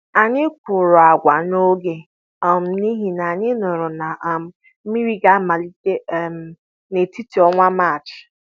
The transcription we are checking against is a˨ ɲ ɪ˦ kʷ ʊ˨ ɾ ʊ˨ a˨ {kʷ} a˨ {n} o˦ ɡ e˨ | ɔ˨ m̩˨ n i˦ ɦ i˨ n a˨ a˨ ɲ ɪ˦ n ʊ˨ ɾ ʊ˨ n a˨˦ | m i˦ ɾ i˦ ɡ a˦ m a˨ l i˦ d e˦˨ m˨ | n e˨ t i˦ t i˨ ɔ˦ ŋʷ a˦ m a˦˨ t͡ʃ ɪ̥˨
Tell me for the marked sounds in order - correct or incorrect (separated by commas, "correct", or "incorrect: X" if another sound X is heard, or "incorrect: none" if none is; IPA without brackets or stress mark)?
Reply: incorrect: ɡʷ, correct